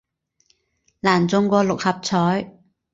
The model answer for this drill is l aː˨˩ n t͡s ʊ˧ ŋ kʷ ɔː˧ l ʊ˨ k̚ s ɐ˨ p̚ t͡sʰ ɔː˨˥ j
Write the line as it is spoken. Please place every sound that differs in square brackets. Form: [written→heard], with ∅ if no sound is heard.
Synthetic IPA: l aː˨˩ n t͡s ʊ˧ ŋ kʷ ɔː˧ l ʊ˨ k̚ [s→h] ɐ˨ p̚ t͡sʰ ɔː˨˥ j

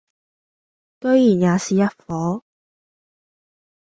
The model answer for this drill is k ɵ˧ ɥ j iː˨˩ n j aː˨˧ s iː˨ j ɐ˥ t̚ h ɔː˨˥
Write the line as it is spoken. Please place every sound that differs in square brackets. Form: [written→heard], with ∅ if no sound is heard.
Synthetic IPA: k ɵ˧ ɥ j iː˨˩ n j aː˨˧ s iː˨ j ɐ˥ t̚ [h→f] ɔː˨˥

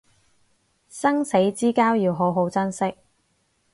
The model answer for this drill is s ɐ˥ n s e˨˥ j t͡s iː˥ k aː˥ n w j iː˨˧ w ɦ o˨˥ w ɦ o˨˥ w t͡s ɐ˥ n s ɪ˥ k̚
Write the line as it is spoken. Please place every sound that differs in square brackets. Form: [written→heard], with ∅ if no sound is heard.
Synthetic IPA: s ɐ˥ [n→ŋ] s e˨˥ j t͡s iː˥ k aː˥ [n→∅] w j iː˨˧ w ɦ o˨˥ w ɦ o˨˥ w t͡s ɐ˥ n s ɪ˥ k̚

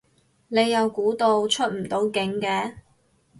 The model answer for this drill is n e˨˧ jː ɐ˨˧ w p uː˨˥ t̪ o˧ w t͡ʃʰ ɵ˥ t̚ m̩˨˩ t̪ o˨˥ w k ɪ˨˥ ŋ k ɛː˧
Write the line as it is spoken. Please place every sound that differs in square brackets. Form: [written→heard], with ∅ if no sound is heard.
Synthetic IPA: n e˨˧ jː ɐ˨˧ w [p→k] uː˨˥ t̪ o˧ w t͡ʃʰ ɵ˥ t̚ m̩˨˩ t̪ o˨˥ w k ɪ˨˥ ŋ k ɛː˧

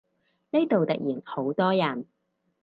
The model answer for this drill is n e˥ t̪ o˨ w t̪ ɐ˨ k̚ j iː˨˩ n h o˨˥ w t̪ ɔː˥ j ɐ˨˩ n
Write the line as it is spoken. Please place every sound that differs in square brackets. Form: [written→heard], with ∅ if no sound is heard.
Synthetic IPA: n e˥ t̪ o˨ w t̪ ɐ˨ k̚ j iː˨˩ n h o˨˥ w t̪ ɔː˥ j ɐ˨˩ n

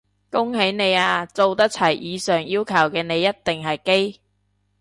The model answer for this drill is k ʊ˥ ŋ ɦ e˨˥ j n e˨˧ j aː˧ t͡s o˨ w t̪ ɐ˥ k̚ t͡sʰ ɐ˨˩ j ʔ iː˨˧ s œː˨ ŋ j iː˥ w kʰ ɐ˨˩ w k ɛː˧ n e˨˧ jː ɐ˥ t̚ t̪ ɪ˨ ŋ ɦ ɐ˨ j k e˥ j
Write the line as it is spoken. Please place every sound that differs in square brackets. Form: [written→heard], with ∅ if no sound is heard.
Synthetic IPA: k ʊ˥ ŋ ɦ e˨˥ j n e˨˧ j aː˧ t͡s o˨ w t̪ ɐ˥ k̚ t͡sʰ ɐ˨˩ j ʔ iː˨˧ s œː˨ ŋ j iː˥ w kʰ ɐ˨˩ w k ɛː˧ n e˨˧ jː ɐ˥ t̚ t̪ ɪ˨ ŋ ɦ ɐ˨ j k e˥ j

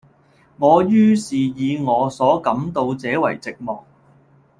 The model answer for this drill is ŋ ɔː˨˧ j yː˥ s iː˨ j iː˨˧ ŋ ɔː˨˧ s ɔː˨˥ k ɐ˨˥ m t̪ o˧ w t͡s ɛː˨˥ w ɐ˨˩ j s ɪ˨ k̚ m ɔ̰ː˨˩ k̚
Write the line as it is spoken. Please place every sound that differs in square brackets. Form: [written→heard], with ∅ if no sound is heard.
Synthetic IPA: ŋ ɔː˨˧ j yː˥ s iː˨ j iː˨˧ ŋ ɔː˨˧ s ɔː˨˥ k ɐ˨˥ m t̪ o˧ w t͡s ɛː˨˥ w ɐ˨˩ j [s→t͡s] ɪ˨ k̚ m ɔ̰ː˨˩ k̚

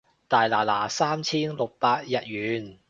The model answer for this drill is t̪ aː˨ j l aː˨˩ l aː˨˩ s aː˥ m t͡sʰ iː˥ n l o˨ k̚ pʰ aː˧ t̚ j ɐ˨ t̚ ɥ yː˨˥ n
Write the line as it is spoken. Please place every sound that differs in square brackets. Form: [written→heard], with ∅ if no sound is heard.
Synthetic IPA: t̪ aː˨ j l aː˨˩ l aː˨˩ s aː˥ m t͡sʰ iː˥ n l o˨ k̚ [pʰ→p] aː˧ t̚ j ɐ˨ t̚ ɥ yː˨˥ n

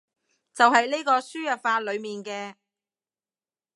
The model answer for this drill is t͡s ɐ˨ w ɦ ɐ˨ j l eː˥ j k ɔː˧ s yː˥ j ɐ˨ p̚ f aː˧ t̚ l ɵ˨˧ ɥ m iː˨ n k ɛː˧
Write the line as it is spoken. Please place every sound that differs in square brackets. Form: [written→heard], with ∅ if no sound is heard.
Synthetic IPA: t͡s ɐ˨ w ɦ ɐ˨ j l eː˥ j k ɔː˧ s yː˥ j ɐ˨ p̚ f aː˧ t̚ l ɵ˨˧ ɥ m iː˨ n k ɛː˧

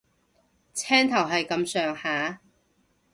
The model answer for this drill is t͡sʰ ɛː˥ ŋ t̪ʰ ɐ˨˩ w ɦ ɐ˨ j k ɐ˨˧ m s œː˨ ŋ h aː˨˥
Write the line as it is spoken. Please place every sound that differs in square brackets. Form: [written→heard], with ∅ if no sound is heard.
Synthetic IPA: t͡sʰ ɛː˥ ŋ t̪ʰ ɐ˨˩ w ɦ ɐ˨ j k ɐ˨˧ m s œː˨ ŋ h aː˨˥

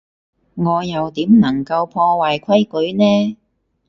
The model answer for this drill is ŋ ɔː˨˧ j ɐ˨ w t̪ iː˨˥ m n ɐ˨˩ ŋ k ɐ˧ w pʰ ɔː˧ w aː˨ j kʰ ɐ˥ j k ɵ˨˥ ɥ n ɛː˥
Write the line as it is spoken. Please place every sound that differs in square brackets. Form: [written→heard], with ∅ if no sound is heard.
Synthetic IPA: ŋ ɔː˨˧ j ɐ˨ w t̪ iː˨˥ m n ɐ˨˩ ŋ k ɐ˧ w pʰ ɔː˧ w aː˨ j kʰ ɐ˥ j k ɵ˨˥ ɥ n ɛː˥

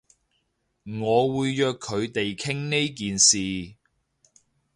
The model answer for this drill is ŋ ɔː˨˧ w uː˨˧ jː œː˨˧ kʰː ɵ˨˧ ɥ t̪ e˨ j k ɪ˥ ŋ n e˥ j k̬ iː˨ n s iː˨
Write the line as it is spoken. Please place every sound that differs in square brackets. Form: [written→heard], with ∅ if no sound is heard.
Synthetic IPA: ŋ ɔː˨˧ w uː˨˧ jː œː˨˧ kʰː ɵ˨˧ ɥ t̪ e˨ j [k→kʰ] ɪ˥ ŋ n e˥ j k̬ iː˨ n s iː˨

